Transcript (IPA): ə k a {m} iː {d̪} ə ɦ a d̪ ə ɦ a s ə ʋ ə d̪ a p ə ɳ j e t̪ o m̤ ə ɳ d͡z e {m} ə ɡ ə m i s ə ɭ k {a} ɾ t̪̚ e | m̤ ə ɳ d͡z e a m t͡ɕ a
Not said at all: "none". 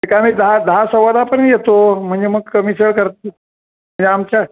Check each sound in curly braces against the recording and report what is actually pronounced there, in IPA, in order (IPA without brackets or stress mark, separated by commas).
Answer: m, d̪, m, ə